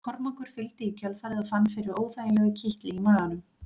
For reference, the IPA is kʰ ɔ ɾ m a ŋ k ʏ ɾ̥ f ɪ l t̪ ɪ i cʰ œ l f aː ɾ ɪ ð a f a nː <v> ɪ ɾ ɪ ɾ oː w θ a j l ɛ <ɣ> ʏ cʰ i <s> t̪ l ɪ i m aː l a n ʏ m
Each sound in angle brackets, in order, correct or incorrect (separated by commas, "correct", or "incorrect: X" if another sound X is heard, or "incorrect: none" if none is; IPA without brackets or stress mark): incorrect: f, correct, incorrect: h